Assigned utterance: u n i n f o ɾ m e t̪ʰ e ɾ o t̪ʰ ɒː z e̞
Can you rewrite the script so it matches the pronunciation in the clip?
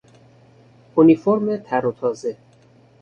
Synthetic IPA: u n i f o ɾ m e t̪ʰ æ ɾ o t̪ʰ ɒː z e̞